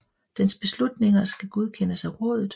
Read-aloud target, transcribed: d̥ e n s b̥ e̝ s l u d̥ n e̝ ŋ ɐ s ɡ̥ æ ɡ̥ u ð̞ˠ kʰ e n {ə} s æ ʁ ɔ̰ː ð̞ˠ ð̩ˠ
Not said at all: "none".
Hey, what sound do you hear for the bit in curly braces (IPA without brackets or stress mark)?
ə